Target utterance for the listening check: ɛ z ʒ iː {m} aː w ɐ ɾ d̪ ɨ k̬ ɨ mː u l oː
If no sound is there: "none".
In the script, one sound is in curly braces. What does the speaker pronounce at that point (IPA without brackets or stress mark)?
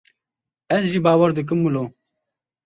b